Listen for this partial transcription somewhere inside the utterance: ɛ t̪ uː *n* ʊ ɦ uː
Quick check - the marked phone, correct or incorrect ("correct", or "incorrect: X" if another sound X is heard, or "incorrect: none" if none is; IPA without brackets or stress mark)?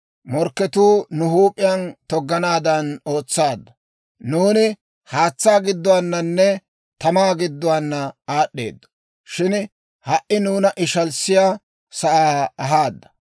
correct